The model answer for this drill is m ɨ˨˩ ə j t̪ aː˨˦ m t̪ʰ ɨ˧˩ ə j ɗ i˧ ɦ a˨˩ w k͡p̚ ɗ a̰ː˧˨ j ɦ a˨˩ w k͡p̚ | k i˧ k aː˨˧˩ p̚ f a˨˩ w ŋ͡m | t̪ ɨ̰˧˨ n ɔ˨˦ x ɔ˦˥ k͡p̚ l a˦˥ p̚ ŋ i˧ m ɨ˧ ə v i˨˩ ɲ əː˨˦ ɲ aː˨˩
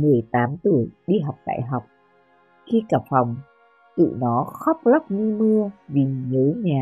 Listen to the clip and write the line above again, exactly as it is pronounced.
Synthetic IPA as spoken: m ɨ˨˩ ə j t̪ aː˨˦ m t̪ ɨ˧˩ ə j ɗ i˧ ɦ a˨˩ w k͡p̚ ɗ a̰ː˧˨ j ɦ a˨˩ w k͡p̚ | x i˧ k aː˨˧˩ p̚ f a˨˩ w ŋ͡m | t̪ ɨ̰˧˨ n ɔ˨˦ x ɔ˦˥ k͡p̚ l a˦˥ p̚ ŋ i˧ m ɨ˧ ə v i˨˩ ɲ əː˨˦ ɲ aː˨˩